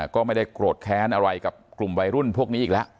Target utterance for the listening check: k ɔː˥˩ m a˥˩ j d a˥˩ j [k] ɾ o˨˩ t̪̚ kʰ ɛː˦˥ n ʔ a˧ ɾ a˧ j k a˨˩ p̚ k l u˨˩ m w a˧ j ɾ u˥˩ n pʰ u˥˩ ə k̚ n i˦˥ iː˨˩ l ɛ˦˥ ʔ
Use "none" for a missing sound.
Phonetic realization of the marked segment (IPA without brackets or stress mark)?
k